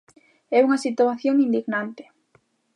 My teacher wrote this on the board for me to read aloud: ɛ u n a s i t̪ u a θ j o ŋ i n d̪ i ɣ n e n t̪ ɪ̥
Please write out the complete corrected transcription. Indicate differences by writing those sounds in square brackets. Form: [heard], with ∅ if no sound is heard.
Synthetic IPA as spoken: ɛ u [ŋ] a s i t̪ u a θ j o ŋ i n d̪ i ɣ n [a] n t̪ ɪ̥

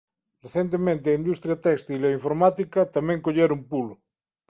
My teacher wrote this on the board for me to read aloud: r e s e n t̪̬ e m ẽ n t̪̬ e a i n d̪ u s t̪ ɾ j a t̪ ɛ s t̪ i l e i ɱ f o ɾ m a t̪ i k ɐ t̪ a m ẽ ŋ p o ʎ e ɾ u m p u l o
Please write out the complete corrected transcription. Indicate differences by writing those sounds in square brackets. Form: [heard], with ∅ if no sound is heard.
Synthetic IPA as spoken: r e [θ] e n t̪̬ e m ẽ n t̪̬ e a i n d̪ u s t̪ ɾ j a t̪ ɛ s t̪ i l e i ɱ f o ɾ m a t̪ i k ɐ t̪ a m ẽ ŋ [k] o ʎ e ɾ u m p u l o

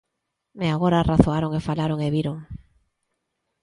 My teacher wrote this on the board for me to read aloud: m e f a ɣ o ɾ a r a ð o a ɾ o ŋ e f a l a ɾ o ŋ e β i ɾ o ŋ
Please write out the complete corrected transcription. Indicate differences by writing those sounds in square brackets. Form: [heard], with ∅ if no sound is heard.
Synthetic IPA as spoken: m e [∅] a ɣ o ɾ a r a [θ] o a ɾ o ŋ e f a l a ɾ o ŋ e β i ɾ o ŋ

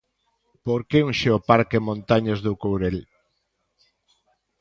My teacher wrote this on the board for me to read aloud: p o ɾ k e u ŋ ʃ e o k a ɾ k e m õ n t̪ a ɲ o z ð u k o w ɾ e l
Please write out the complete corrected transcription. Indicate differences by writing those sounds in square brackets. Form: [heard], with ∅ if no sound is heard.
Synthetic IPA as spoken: p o ɾ k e u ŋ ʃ e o [p] a ɾ k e m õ n t̪ a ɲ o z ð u k o w ɾ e l

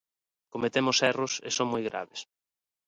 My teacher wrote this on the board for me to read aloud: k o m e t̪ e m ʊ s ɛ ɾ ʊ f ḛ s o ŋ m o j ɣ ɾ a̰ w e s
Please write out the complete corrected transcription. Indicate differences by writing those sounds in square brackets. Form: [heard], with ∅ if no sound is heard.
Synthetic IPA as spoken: k o m e t̪ e m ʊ s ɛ [r] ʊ [s] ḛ s o ŋ m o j ɣ ɾ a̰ [β] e s

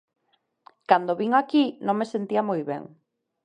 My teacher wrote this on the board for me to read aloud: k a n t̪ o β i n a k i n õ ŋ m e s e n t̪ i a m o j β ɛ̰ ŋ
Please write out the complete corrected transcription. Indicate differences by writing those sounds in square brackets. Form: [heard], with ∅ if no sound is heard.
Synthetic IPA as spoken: k a n [d̪] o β i [ŋ] a k i n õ ŋ m e s e n t̪ i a m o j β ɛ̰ ŋ

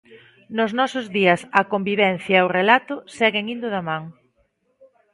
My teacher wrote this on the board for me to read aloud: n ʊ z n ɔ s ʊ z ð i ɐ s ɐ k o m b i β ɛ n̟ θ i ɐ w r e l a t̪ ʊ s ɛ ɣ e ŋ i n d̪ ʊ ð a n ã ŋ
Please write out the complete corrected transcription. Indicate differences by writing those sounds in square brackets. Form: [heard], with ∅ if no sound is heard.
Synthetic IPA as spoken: n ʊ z n ɔ s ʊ z ð i ɐ s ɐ k o m b i β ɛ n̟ θ [j] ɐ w r e l a t̪ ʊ s ɛ ɣ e ŋ i n d̪ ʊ ð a [m] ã ŋ

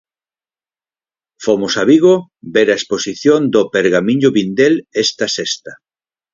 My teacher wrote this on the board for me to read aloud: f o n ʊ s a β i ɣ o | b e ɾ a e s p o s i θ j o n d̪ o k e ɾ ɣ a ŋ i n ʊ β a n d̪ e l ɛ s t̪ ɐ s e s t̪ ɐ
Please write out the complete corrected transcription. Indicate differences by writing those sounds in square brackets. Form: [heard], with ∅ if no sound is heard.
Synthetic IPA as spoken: f o [m] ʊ s a β i ɣ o | b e ɾ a e s p o s i θ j o n d̪ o [p] e ɾ ɣ a [m] i [ɲ] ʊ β [i] n d̪ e l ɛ s t̪ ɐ s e s t̪ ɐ

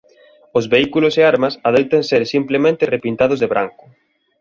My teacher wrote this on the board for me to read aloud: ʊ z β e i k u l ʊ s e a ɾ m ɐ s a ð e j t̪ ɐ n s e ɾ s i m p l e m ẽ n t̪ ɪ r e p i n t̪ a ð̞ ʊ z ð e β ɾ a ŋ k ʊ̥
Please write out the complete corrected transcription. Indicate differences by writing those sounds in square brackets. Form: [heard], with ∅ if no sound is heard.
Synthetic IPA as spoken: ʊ z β e i k u l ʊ s e a ɾ m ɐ s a ð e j t̪ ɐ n s e ɾ s i m p l e m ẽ n t̪ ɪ r e p i n t̪ a ð̞ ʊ z ð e β ɾ a ŋ k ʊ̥

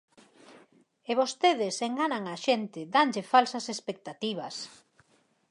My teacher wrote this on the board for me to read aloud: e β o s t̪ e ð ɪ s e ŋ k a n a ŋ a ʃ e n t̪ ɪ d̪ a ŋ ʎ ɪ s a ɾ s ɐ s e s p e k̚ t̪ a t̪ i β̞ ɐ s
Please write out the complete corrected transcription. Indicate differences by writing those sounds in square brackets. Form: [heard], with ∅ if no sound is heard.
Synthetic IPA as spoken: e β o s t̪ e ð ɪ s e ŋ [ɡ] a n a ŋ a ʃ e n t̪ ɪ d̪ a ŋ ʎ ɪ [f] a [l] s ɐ s e s p e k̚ t̪ a t̪ i β̞ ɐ s

